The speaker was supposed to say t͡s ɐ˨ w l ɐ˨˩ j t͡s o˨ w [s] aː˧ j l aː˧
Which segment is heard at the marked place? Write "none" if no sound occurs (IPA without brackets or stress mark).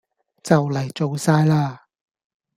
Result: s